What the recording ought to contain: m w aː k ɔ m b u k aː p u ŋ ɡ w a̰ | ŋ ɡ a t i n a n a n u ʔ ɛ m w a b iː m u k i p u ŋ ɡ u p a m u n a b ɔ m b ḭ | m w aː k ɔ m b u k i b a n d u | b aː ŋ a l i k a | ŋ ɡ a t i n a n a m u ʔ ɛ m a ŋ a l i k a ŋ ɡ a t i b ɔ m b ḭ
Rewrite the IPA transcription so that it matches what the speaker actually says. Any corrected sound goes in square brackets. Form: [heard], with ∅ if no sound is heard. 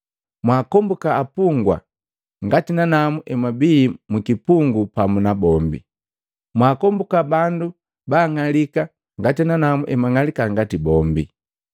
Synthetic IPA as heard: m w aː k ɔ m b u k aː p u ŋ ɡ w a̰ | ŋ ɡ a t i n a n a [m] u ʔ ɛ m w a b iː m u k i p u ŋ ɡ u p a m u n a b ɔ m b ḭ | m w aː k ɔ m b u k [a] b a n d u | b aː ŋ a l i k a | ŋ ɡ a t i n a n a m u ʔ ɛ m a ŋ a l i k a ŋ ɡ a t i b ɔ m b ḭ